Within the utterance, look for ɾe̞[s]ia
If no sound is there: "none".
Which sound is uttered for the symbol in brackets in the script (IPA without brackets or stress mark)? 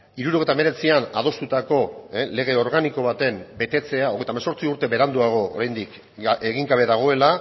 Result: t͡s